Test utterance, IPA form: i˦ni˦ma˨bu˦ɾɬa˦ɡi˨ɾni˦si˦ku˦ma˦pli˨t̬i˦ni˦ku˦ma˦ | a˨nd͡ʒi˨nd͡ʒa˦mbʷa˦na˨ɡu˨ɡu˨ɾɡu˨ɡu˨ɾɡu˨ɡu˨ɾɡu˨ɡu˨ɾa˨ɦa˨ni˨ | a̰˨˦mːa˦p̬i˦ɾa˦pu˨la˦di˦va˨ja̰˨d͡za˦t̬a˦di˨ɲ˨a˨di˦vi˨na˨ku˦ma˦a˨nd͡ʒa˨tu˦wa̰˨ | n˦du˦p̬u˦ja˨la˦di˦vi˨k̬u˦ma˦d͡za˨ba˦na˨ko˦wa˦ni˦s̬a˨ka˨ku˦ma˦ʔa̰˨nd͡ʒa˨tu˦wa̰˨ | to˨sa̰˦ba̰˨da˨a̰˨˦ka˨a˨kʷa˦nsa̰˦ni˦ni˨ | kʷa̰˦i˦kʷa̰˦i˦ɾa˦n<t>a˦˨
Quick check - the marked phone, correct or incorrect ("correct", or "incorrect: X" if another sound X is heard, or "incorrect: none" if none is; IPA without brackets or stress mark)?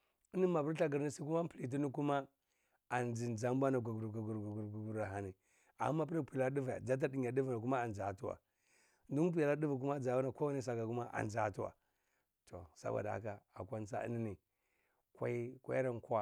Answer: incorrect: k